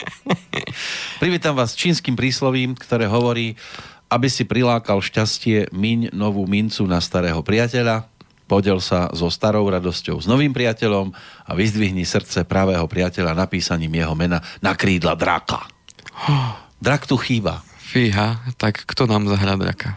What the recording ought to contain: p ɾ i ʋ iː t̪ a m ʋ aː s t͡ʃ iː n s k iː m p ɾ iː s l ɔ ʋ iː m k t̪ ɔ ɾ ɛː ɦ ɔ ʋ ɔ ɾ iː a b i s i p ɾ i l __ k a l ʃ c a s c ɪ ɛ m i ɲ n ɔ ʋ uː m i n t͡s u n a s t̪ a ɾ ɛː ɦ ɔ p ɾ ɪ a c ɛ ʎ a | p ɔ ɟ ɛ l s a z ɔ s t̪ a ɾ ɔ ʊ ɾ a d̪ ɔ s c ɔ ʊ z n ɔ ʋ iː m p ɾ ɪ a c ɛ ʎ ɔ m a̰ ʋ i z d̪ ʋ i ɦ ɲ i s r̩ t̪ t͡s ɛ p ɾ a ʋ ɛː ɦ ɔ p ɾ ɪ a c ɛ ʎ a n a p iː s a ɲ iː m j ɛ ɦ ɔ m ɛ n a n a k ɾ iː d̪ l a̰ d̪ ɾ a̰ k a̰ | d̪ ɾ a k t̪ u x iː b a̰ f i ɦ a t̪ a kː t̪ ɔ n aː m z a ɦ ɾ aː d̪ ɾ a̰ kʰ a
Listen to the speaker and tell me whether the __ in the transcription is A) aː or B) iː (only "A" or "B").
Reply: A